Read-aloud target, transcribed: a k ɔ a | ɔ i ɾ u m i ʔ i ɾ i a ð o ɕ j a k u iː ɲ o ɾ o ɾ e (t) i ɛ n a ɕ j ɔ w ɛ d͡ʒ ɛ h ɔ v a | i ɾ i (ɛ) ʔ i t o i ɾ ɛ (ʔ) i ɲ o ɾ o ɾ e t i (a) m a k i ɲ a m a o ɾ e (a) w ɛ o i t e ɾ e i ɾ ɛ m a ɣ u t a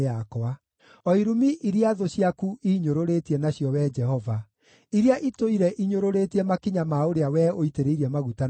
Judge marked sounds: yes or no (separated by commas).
yes, no, yes, no, yes